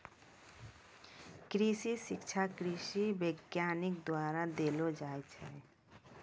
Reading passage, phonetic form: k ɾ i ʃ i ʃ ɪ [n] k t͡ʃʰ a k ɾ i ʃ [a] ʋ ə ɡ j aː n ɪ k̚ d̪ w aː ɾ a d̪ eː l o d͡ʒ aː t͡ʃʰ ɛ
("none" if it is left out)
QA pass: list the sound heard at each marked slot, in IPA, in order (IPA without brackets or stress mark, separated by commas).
none, i